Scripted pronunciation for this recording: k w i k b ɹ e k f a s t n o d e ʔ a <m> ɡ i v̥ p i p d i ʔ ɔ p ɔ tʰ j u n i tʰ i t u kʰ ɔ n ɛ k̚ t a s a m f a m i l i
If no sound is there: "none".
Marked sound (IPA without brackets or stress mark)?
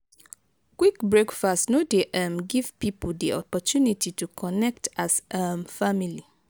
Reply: m